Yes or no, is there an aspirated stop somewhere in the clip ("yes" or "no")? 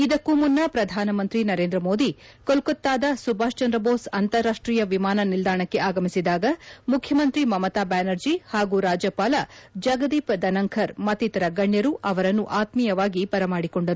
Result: yes